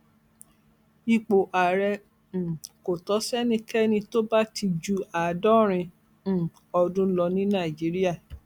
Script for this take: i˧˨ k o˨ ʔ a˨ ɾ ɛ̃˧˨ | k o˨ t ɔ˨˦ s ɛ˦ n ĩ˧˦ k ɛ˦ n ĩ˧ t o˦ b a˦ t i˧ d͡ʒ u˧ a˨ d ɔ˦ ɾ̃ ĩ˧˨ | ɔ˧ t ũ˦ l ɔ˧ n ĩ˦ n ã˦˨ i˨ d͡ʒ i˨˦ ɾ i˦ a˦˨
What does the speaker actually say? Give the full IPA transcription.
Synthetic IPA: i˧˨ k͡p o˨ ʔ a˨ ɾ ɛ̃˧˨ | k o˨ t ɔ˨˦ s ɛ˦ n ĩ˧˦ k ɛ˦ n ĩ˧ t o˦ b a˦ t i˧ d͡ʒ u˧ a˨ d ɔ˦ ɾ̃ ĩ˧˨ | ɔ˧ d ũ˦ l ɔ˧ n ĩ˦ n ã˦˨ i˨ d͡ʒ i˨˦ ɾ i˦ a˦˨